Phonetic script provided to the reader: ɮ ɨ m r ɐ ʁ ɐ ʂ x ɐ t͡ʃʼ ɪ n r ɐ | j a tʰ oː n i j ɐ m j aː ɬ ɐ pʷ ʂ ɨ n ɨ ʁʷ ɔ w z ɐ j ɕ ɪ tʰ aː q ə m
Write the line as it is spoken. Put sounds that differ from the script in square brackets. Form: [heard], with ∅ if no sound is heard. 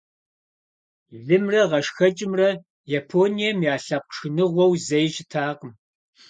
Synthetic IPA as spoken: ɮ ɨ m r ɐ ʁ ɐ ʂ x ɐ t͡ʃʼ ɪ [m] r ɐ | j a [pʰ] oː n i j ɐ m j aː ɬ ɐ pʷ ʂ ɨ n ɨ ʁʷ ɔ w z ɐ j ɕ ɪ tʰ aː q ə m